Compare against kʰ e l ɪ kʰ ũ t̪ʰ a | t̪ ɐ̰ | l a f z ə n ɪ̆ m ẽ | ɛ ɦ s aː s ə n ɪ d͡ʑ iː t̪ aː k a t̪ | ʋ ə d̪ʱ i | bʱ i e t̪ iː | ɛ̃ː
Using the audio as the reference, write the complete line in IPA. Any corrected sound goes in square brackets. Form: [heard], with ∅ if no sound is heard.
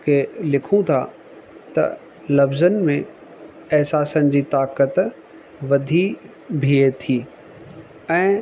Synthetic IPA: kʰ e l ɪ kʰ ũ t̪ʰ a | t̪ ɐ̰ | l [ɐ] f z ə n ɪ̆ m ẽ | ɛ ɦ s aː s ə n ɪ d͡ʑ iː t̪ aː k [ə] t̪ | ʋ [ɐ] d̪ʱ i | bʱ i e [t̪ʰ] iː | ɛ̃ː

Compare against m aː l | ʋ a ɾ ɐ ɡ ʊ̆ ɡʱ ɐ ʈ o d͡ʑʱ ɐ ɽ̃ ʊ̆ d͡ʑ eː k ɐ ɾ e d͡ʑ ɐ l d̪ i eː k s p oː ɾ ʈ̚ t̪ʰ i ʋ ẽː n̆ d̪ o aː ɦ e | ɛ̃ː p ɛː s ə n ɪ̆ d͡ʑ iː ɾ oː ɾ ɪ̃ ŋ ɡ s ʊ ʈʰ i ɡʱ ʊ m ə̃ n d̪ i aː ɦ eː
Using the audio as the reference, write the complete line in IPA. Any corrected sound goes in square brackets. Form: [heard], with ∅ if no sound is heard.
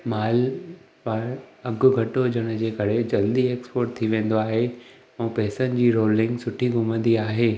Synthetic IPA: m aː l | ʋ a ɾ ɐ ɡ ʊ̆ ɡʱ ɐ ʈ o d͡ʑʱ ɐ ɽ̃ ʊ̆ d͡ʑ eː k ɐ ɾ e d͡ʑ ɐ l d̪ i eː k s p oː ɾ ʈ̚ t̪ʰ i ʋ ẽː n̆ d̪ o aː ɦ e | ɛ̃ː p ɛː s ə n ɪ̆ d͡ʑ iː ɾ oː [l] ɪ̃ ŋ ɡ s ʊ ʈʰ i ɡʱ ʊ m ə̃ n d̪ i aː ɦ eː

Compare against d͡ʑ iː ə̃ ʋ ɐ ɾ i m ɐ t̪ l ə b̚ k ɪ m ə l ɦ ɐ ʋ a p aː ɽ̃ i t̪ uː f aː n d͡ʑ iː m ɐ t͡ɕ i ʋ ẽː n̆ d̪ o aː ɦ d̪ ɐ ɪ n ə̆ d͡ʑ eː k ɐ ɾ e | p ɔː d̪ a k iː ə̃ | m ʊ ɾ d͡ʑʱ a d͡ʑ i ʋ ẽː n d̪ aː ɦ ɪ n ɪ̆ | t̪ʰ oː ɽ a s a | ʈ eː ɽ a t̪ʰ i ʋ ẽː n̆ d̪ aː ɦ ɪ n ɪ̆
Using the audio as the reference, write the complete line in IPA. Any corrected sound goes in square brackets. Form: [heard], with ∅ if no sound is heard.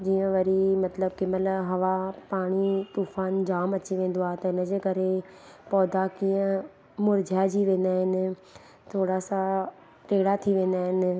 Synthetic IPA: d͡ʑ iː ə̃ ʋ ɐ ɾ i m ɐ t̪ l ə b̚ k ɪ m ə l ɦ ɐ ʋ a p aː ɽ̃ i t̪ uː f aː n d͡ʑ [aː] m ɐ t͡ɕ i ʋ ẽː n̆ d̪ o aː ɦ [t̪] ɐ ɪ n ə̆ d͡ʑ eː k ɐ ɾ e | p ɔː d̪ a k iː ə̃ | m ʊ ɾ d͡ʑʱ a d͡ʑ i ʋ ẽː n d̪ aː ɦ ɪ n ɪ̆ | t̪ʰ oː ɽ a s a | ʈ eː ɽ a t̪ʰ i ʋ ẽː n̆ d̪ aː ɦ ɪ n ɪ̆

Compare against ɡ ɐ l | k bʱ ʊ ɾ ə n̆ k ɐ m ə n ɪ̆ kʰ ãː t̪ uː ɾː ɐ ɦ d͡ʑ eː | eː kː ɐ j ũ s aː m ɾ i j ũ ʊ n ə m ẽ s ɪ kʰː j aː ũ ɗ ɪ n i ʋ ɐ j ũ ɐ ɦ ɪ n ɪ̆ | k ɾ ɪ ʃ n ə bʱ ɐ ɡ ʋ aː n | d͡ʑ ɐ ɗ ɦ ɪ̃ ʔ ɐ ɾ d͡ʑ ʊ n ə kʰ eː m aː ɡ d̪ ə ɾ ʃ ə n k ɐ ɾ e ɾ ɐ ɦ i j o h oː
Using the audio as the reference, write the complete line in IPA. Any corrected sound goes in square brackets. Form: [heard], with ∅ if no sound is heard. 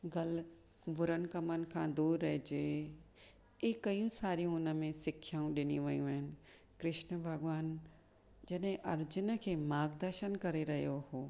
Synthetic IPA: ɡ ɐ l | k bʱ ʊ ɾ ə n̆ k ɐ m ə n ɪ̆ kʰ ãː [d̪] uː ɾː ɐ ɦ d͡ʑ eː | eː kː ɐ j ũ s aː [∅] ɾ i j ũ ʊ n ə m ẽ s ɪ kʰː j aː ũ ɗ ɪ n i ʋ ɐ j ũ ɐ ɦ ɪ n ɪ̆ | k ɾ ɪ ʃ n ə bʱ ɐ ɡ ʋ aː n | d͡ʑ ɐ ɗ ɦ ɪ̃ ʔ ɐ ɾ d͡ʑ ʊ n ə kʰ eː m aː ɡ d̪ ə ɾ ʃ ə n k ɐ ɾ e ɾ ɐ ɦ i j o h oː

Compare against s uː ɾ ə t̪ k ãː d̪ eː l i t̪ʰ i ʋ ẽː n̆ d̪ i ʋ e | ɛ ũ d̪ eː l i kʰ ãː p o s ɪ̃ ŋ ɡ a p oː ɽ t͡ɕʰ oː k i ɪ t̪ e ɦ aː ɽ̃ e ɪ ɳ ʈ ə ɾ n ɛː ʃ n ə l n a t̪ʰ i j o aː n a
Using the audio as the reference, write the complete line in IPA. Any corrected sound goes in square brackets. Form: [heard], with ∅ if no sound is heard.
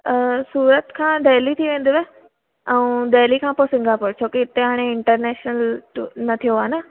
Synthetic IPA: s uː ɾ ə t̪ [kʰ] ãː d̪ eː l i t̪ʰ i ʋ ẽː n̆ d̪ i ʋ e | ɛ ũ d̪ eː l i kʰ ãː p o s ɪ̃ ŋ ɡ a p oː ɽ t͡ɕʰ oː k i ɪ t̪ e ɦ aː ɽ̃ e ɪ ɳ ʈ ə ɾ n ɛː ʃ n ə l n [ɐ] t̪ʰ i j o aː n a

